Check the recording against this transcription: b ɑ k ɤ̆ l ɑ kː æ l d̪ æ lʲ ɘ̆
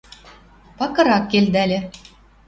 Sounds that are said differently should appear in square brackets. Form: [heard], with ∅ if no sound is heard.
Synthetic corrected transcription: [p] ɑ k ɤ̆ [ɾ] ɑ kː [e] l d̪ æ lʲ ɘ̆